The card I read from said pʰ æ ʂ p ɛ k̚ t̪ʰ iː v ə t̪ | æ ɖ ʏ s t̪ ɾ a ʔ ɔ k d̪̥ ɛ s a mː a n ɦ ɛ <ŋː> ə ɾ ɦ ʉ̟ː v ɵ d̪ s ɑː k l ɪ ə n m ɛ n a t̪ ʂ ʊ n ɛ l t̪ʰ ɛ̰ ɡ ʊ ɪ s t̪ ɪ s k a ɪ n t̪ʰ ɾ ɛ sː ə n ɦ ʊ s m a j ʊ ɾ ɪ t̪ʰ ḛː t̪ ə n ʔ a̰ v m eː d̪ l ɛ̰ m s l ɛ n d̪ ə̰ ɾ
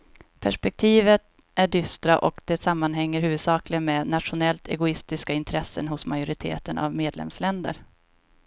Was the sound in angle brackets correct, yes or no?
yes